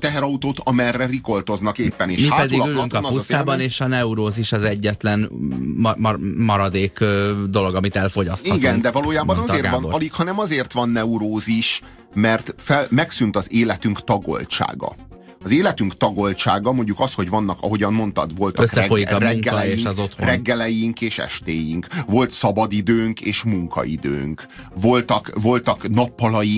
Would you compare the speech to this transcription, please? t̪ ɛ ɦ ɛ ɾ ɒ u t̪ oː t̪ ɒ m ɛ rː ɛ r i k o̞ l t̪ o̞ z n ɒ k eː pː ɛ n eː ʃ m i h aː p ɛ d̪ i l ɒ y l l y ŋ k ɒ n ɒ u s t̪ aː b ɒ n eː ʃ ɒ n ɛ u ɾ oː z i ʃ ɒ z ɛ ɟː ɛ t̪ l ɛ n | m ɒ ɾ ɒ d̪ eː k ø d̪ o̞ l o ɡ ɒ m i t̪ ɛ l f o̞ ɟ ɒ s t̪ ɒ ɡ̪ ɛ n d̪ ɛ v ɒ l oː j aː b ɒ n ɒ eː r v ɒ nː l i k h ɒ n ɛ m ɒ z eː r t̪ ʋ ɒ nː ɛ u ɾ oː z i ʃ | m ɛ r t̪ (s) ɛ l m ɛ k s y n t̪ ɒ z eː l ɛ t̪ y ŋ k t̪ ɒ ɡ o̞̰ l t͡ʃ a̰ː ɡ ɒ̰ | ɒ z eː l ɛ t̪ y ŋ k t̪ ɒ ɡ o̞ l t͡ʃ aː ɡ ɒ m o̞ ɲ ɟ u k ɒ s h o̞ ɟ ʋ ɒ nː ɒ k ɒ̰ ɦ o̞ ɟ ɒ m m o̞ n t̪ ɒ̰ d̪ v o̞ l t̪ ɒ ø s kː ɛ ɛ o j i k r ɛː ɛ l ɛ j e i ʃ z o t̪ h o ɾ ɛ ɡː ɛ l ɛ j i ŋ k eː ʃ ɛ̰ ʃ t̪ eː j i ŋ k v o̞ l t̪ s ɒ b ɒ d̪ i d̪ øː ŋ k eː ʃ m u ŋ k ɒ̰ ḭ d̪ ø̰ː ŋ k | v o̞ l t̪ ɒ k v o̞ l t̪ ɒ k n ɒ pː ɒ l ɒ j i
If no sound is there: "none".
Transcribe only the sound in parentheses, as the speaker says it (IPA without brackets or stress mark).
f